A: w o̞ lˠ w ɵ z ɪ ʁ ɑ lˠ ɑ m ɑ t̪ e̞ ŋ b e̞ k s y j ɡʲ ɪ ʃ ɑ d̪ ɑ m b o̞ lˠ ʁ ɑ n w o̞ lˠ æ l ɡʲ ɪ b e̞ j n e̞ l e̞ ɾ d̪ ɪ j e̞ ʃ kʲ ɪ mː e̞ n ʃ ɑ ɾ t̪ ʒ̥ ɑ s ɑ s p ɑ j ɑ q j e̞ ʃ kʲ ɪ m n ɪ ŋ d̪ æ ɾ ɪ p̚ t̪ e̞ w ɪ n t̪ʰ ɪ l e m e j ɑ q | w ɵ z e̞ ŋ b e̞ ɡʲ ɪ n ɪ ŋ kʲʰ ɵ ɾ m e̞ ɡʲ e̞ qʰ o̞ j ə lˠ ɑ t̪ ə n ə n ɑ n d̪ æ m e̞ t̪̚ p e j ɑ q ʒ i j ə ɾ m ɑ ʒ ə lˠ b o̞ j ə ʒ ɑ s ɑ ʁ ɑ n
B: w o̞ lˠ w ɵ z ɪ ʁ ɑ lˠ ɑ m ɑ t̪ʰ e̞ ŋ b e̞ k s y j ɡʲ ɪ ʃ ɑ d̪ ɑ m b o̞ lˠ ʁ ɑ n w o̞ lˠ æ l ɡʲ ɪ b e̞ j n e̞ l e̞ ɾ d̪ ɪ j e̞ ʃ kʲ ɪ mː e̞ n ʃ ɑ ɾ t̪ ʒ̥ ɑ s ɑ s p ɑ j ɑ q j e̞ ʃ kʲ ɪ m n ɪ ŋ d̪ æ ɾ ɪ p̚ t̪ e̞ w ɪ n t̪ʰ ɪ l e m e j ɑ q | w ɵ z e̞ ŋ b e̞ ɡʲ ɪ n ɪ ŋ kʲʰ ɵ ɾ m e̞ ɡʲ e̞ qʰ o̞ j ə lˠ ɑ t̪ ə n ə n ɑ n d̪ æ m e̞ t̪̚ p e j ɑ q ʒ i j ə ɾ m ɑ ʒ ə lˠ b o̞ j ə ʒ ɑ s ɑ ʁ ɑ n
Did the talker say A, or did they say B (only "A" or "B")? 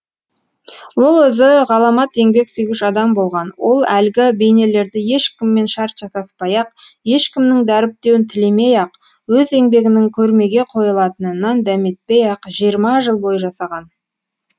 A